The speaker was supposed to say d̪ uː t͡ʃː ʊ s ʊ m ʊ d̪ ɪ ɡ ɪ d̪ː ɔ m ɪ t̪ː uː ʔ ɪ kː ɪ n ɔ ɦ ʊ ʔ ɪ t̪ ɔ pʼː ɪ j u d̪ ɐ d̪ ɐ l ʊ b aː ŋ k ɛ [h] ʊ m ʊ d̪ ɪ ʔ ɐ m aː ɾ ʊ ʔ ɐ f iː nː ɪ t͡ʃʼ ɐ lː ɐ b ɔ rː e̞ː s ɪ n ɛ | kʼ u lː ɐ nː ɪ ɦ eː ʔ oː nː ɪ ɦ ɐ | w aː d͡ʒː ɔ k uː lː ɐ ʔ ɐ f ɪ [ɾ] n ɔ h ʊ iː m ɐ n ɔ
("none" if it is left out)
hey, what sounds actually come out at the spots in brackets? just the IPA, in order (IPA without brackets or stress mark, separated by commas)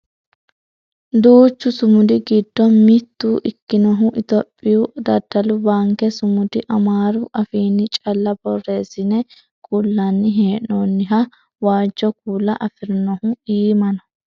s, ɾ